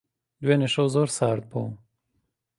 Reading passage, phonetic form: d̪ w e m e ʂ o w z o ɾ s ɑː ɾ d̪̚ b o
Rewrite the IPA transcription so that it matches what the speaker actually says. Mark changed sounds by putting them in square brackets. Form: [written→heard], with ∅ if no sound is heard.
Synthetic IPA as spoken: d̪ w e [m→n] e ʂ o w z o ɾ s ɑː ɾ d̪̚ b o